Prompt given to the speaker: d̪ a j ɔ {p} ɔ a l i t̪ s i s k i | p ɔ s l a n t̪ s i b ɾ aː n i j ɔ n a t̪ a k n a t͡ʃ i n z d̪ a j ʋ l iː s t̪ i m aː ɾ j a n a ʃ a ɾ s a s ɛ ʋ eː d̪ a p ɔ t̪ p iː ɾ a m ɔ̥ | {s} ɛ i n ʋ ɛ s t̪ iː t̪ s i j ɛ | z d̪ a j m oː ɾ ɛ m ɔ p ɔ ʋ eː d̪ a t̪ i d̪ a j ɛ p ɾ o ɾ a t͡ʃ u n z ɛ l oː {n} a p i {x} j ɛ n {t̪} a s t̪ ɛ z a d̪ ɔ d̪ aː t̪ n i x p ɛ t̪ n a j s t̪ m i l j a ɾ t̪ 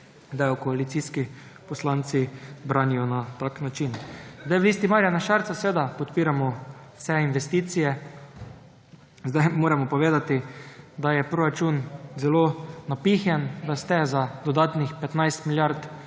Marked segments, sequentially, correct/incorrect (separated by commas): incorrect, correct, correct, correct, incorrect